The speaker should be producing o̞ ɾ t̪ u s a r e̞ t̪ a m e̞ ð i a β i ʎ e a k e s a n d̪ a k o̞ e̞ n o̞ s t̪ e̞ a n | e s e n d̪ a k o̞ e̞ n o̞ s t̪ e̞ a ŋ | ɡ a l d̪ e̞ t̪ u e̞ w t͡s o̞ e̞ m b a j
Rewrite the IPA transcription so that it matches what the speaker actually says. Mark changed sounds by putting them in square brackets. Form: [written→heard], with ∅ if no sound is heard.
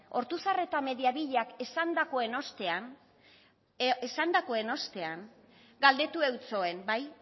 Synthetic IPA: o̞ ɾ t̪ u s a r e̞ t̪ a m e̞ ð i a β i ʎ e a k e s a n d̪ a k o̞ e̞ n o̞ s t̪ e̞ a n | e s [e→a] n d̪ a k o̞ e̞ n o̞ s t̪ e̞ a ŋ | ɡ a l d̪ e̞ t̪ u e̞ w t͡s o̞ e̞ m b a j

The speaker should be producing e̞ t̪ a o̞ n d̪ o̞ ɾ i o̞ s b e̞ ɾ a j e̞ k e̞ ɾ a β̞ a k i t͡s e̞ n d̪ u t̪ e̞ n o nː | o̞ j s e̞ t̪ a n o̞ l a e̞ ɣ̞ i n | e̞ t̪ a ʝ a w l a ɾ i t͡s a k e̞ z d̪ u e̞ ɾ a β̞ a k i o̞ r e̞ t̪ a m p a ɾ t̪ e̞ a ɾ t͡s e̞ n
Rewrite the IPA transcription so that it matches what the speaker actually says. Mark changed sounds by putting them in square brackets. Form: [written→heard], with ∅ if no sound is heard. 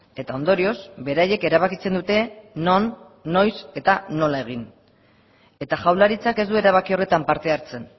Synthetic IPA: e̞ t̪ a o̞ n d̪ o̞ ɾ i o̞ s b e̞ ɾ a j e̞ k e̞ ɾ a β̞ a k i t͡s e̞ n d̪ u t̪ e̞ n o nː | o̞ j s e̞ t̪ a n o̞ l a e̞ ɣ̞ i n | e̞ t̪ a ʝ a w l a ɾ i t͡s a k e̞ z d̪ u e̞ ɾ a β̞ a k i o̞ r e̞ t̪ a m p a ɾ t̪ e̞ a ɾ t͡s e̞ n

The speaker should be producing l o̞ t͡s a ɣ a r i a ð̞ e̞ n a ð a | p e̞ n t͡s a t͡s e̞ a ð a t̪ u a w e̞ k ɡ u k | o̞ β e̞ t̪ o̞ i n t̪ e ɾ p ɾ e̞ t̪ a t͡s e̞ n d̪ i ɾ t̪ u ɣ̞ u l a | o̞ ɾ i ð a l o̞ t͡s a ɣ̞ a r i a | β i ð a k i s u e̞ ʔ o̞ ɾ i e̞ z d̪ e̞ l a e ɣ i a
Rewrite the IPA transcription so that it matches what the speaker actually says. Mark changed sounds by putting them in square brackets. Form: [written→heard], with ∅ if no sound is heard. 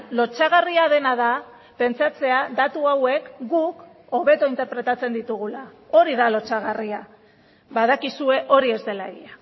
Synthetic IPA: l o̞ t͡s a ɣ a r i a ð̞ e̞ n a ð a | p e̞ n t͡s a t͡s e̞ a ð a t̪ u a w e̞ k ɡ u k | o̞ β e̞ t̪ o̞ i n t̪ e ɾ p ɾ e̞ t̪ a t͡s e̞ n d̪ i [ɾ→∅] t̪ u ɣ̞ u l a | o̞ ɾ i ð a l o̞ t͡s a ɣ̞ a r i a | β [i→a] ð a k i s u e̞ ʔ o̞ ɾ i e̞ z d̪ e̞ l a e ɣ i a

